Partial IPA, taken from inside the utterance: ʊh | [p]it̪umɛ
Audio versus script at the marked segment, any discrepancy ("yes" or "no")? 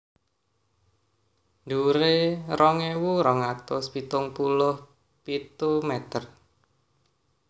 no